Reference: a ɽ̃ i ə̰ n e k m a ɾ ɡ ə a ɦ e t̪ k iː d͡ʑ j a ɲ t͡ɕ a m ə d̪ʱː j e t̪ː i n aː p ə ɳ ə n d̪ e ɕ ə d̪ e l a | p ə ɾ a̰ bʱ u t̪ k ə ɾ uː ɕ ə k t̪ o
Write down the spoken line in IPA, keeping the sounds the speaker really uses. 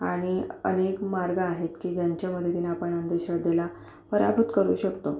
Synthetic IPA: a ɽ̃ i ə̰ n e k m a ɾ ɡ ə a ɦ e t̪ k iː d͡ʑ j a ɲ t͡ɕ a m ə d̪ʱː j e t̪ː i n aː p ə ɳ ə n d̪ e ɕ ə d̪ e l a | p ə ɾ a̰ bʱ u t̪ k ə ɾ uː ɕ ə k t̪ o